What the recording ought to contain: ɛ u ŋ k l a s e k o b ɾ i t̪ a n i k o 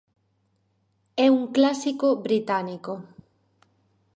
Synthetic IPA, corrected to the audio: ɛ u ŋ k l a s i k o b ɾ i t̪ a n i k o